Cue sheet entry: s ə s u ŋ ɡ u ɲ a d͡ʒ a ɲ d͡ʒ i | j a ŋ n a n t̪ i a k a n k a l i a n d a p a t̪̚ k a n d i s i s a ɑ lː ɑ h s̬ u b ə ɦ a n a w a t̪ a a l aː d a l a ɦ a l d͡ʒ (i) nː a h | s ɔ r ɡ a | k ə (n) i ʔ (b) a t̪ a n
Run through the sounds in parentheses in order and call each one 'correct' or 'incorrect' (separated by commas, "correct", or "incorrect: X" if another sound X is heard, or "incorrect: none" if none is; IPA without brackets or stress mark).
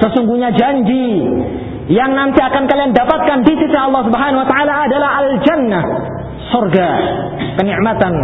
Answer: incorrect: a, correct, incorrect: m